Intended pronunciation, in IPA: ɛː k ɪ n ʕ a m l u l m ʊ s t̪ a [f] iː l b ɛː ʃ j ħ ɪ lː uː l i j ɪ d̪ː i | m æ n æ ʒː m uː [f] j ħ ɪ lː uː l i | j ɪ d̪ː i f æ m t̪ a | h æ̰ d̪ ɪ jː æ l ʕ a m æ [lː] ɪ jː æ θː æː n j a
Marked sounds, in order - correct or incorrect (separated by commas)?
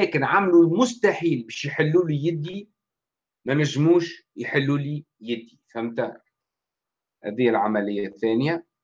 incorrect, incorrect, incorrect